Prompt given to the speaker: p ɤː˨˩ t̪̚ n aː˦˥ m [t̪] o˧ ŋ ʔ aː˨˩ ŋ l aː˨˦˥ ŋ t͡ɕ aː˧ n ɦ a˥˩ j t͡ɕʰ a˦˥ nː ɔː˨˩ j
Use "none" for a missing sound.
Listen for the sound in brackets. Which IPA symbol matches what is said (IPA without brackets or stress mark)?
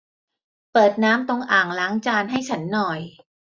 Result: t̪